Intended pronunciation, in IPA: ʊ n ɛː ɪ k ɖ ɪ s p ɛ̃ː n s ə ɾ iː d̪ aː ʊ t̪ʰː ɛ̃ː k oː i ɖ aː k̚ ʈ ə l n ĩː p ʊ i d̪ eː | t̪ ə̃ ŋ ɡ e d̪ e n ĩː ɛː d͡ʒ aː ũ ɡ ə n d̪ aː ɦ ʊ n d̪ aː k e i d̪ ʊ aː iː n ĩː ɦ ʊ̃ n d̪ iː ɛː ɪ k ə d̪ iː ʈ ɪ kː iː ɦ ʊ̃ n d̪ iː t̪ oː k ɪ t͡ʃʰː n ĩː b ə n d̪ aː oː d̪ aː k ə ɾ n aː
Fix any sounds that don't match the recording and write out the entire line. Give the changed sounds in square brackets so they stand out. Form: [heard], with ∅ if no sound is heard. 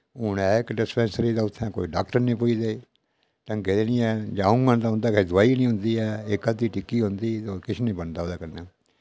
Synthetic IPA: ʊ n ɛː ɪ k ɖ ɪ s p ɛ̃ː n s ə ɾ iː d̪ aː ʊ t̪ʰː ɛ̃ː k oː i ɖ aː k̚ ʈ ə [ɾ] n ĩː p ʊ i d̪ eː | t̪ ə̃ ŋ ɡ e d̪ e n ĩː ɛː d͡ʒ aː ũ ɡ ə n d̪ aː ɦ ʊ n d̪ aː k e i d̪ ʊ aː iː n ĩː ɦ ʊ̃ n d̪ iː ɛː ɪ k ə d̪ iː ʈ ɪ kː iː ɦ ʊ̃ n d̪ iː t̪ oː k ɪ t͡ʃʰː n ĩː b ə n d̪ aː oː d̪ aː k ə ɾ n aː